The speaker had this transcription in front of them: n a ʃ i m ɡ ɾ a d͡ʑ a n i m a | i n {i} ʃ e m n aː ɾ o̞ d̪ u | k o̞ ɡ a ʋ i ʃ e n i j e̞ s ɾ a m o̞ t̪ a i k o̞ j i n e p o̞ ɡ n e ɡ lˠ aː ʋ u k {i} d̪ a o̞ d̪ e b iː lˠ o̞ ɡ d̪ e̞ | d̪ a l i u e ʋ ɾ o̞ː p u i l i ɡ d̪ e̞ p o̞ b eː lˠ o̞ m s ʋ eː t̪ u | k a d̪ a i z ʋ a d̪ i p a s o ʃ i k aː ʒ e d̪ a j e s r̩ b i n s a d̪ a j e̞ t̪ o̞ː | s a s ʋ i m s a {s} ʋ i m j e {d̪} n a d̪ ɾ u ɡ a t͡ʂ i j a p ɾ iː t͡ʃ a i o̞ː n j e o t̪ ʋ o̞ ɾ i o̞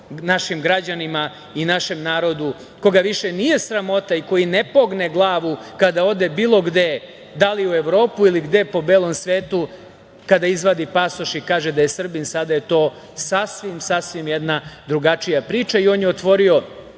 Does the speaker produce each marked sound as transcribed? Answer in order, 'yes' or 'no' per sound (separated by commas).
no, no, yes, yes